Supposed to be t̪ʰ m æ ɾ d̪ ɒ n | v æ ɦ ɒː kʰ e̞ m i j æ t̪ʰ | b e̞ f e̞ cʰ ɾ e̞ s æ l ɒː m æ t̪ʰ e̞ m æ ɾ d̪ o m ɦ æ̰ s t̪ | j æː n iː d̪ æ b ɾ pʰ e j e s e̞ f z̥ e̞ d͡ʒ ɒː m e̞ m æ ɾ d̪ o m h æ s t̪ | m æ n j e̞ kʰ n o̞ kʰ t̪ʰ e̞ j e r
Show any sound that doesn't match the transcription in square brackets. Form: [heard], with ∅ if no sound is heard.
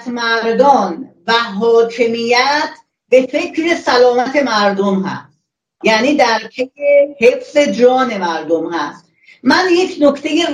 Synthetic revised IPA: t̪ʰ m æ ɾ d̪ ɒ n | v æ ɦ ɒː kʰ e̞ m i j æ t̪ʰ | b e̞ f e̞ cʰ ɾ e̞ s æ l ɒː m æ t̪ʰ e̞ m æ ɾ d̪ o m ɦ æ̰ s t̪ | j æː n iː d̪ æ [∅] ɾ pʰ e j e [h] e̞ f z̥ e̞ d͡ʒ ɒː [n] e̞ m æ ɾ d̪ o m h æ s t̪ | m æ n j e̞ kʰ n o̞ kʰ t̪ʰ e̞ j e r